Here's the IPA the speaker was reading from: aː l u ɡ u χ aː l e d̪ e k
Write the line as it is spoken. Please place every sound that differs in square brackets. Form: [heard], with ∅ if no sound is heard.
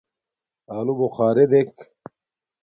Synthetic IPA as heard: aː l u [b] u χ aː [ɾ] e d̪ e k